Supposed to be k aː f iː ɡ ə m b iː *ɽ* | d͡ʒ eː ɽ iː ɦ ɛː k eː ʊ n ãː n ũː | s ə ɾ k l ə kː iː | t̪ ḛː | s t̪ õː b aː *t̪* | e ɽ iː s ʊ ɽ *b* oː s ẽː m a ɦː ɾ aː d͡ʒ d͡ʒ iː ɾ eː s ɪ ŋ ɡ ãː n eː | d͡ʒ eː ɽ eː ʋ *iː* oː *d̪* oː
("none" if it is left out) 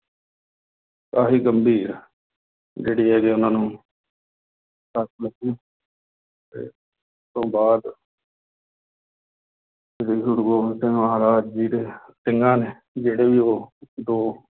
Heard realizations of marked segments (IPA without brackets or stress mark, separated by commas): ɾ, d̪, ɡ, iː, d̪